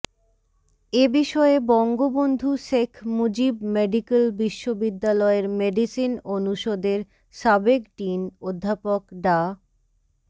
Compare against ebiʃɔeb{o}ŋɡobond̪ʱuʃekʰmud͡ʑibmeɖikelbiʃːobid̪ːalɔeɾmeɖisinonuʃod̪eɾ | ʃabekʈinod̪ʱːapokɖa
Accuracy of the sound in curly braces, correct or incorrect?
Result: incorrect